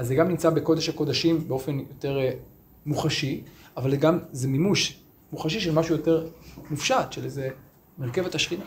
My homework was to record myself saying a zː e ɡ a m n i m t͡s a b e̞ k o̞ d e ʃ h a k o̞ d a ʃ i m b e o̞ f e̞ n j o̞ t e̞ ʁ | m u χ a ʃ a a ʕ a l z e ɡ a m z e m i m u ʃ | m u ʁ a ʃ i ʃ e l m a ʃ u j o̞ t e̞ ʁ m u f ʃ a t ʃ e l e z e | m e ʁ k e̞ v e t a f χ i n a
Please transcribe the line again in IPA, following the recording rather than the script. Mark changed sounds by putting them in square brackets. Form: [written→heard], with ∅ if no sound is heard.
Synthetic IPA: a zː e ɡ a m n i m t͡s a b e̞ k o̞ d e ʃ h a k o̞ d a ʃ i m b e o̞ f e̞ n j o̞ t e̞ ʁ | m u χ a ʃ [a→i] a [ʕ→v] a l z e ɡ a m z e m i m u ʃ | m u [ʁ→χ] a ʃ i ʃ e l m a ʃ u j o̞ t e̞ ʁ m u f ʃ a t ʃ e l e z e | m e ʁ k e̞ v e t a [f→ʃ] χ i n a